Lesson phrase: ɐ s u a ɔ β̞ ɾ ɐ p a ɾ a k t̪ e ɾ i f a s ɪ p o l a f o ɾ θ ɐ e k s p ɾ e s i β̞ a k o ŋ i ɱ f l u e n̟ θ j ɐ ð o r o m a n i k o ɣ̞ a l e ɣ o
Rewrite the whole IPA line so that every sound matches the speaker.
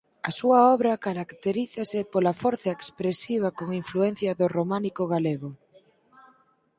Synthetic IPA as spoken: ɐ s u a ɔ β̞ ɾ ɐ k a ɾ a k t̪ e ɾ i θ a s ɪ p o l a f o ɾ θ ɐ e k s p ɾ e s i β̞ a k o ŋ i ɱ f l u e n̟ θ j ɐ ð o r o m a n i k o ɣ̞ a l e ɣ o

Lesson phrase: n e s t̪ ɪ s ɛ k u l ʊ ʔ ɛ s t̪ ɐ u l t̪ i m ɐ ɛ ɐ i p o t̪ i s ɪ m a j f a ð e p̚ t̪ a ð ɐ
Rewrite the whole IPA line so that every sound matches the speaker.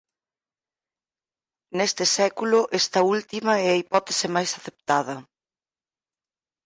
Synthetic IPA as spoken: n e s t̪ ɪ s ɛ k u l ʊ ʔ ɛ s t̪ ɐ u l t̪ i m ɐ ɛ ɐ i p ɔ t̪ e s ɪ m a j s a θ e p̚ t̪ a ð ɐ

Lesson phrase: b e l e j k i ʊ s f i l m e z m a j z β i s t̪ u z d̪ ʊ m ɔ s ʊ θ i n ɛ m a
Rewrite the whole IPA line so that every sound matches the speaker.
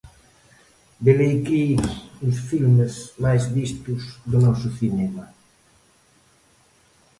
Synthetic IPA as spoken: b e l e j k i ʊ s f i l m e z m a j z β i s t̪ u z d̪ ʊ n ɔ s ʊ θ i n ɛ m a

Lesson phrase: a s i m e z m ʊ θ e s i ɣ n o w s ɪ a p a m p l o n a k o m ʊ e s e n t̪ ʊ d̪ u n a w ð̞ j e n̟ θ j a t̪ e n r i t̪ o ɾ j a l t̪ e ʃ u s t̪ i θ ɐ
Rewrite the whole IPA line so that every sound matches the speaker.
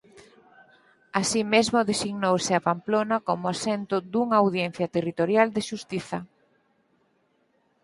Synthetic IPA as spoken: a s i m e z m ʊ ð e s i ɣ n o w s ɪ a p a m p l o n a k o m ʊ a s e n t̪ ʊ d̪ u ŋ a w ð̞ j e n̟ θ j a t̪ e r i t̪ o ɾ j a l d̪ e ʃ u s t̪ i θ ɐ

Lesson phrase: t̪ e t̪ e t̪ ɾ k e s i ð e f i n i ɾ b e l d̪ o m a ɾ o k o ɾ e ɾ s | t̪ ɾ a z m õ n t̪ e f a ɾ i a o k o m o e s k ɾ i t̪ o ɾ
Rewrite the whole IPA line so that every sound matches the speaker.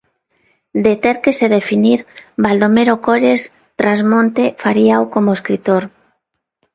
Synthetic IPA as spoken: d̪ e t̪ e ɾ k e s e ð e f i n i ɾ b a l d̪ o m e ɾ o k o ɾ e s | t̪ ɾ a z m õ n t̪ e f a ɾ i a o k o m o e s k ɾ i t̪ o ɾ

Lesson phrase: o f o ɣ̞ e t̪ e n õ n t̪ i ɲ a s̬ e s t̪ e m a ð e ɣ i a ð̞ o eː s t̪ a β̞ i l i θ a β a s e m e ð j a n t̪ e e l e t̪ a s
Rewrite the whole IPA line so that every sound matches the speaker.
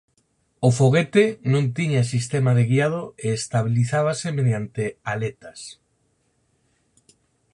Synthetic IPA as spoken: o f o ɣ̞ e t̪ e n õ n t̪ i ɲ a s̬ i s t̪ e m a ð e ɣ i a ð̞ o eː s t̪ a β̞ i l i θ a β a s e m e ð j a n t̪ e a l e t̪ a s

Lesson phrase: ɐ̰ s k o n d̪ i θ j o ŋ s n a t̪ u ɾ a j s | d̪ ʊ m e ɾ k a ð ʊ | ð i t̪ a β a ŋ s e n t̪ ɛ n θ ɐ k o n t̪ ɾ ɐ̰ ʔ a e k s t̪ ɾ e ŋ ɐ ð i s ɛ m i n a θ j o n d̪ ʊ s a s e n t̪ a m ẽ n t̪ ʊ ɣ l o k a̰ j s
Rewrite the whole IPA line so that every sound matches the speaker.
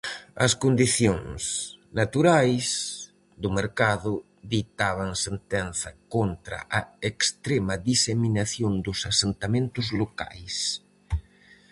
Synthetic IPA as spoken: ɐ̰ s k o n d̪ i θ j o ŋ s n a t̪ u ɾ a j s | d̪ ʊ m e ɾ k a ð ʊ | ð i t̪ a β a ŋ s e n t̪ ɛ n θ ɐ k o n t̪ ɾ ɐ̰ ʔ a e k s t̪ ɾ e m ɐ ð i s e m i n a θ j o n d̪ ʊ s a s e n t̪ a m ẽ n t̪ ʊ z l o k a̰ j s

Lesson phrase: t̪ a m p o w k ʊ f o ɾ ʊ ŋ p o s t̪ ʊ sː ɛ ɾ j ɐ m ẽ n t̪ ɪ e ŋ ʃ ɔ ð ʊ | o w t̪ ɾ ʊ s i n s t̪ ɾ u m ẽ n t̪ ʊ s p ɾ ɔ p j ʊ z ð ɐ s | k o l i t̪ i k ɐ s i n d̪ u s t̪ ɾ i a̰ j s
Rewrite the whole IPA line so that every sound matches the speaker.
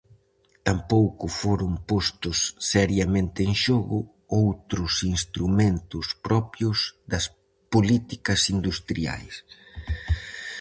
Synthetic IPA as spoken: t̪ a m p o w k ʊ f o ɾ ʊ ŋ p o s t̪ ʊ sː ɛ ɾ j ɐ m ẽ n t̪ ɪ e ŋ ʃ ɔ ɣ ʊ | o w t̪ ɾ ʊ s i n s t̪ ɾ u m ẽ n t̪ ʊ s p ɾ ɔ p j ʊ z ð ɐ s | p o l i t̪ i k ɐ s i n d̪ u s t̪ ɾ i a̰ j s

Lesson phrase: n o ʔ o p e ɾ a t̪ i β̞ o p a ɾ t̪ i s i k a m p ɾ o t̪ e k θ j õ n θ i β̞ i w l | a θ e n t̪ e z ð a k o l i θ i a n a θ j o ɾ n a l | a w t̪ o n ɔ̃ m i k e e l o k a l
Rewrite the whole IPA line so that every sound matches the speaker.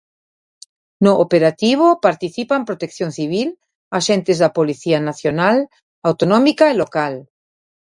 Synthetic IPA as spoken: n o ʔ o p e ɾ a t̪ i β̞ o p a ɾ t̪ i θ i p a m p ɾ o t̪ e k θ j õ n θ i β̞ i l | a ʃ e n t̪ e z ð a p o l i θ i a n a θ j o n a l | a w t̪ o n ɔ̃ m i k a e l o k a l

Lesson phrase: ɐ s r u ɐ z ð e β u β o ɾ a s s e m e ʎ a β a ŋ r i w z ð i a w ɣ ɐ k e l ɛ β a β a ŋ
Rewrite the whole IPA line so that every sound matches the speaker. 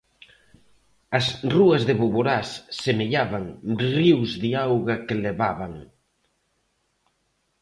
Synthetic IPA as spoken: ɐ s r u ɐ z ð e β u β o ɾ a s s e m e ʎ a β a ŋ r i w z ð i a w ɣ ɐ k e l e β a β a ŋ

